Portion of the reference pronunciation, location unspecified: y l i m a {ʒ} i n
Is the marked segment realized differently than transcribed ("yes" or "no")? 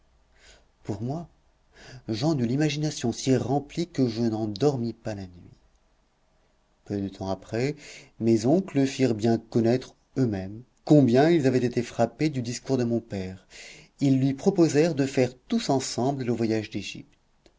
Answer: no